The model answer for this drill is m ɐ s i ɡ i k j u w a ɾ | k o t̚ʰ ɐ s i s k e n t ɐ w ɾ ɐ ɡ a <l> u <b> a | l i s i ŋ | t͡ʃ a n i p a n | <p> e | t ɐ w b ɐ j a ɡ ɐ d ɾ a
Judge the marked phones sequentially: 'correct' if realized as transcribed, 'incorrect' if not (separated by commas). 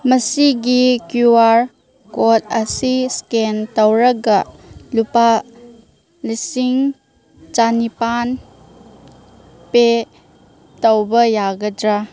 correct, incorrect, correct